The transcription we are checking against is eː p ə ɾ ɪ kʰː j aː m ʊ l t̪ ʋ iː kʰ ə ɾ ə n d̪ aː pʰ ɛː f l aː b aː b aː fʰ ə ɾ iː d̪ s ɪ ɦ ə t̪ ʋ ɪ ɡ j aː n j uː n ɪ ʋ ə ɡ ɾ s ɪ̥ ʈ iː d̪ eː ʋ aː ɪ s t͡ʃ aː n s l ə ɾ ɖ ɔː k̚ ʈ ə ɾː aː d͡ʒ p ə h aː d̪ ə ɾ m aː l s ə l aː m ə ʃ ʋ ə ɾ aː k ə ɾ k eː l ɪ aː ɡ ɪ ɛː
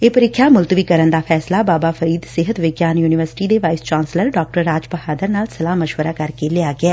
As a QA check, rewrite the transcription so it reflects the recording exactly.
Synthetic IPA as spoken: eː p ə ɾ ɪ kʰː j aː m ʊ l t̪ ʋ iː k ə ɾ ə n d̪ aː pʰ ɛː s l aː b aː b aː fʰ ə ɾ iː d̪ s ɪ ɦ ə t̪ ʋ ɪ ɡ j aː n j uː n ɪ ʋ ə ɾ s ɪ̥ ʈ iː d̪ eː ʋ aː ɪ s t͡ʃ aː n s l ə ɾ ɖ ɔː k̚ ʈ ə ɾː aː d͡ʒ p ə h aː d̪ ə ɾ n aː l s ə l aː m ə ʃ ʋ ə ɾ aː k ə ɾ k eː l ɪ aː ɡ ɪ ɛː